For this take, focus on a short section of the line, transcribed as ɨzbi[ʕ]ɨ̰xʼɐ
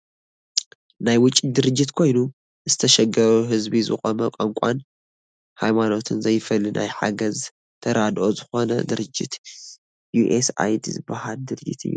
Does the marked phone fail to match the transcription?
yes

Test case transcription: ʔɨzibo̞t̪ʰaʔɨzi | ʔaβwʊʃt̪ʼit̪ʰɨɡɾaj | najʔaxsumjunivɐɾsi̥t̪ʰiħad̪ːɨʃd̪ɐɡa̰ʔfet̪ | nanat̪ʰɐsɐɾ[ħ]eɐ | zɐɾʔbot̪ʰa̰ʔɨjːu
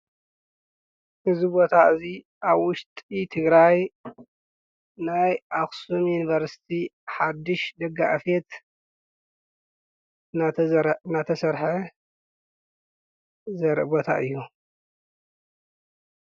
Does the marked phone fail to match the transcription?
no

